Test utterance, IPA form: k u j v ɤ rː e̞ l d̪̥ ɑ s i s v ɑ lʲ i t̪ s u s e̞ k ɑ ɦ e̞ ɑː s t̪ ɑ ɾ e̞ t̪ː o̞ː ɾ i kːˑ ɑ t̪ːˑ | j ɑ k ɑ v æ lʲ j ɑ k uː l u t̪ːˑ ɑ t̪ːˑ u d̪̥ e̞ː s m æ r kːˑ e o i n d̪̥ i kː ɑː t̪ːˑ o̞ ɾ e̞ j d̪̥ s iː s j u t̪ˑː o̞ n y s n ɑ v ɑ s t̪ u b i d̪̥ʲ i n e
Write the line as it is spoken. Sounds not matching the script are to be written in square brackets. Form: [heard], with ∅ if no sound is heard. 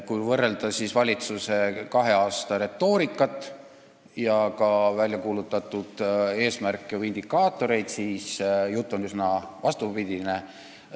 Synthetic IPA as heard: k u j v ɤ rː e̞ l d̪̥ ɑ s i s v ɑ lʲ i t̪ s u s e̞ k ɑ ɦ e̞ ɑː s t̪ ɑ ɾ e̞ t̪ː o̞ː ɾ i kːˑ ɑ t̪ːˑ | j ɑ k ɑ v æ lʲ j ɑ k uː l u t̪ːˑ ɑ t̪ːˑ u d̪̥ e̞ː s m æ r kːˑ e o i n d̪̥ i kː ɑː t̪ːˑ o̞ ɾ e̞ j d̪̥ s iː s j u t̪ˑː o̞ n y s n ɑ v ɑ s t̪ u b i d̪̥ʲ i n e